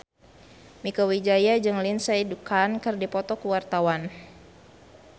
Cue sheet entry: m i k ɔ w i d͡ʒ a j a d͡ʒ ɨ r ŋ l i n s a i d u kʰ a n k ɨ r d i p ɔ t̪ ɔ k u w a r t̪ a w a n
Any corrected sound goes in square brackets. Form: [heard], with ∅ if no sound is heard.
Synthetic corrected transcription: m i k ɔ w i d͡ʒ a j a d͡ʒ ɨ [∅] ŋ l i n s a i d u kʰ a n k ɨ r d i p ɔ t̪ ɔ k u w a r t̪ a w a n